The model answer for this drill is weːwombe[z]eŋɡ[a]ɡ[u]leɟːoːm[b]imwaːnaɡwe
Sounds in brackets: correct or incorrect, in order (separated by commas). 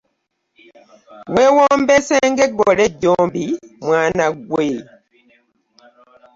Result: incorrect, incorrect, incorrect, correct